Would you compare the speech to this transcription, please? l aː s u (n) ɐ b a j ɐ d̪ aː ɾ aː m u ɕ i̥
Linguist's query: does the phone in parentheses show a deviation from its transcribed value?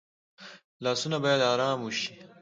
no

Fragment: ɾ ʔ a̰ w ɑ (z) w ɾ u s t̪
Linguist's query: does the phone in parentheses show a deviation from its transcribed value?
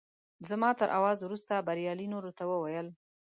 no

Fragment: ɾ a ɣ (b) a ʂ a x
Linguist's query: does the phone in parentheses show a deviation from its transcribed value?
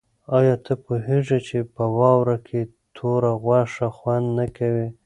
yes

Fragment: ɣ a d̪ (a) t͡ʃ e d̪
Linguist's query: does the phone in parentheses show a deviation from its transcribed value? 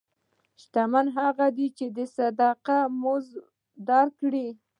yes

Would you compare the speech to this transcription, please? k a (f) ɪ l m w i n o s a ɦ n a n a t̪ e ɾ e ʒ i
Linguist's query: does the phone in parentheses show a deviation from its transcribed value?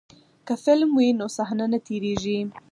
no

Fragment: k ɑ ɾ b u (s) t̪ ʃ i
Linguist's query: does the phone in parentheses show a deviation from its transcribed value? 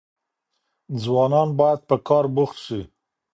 yes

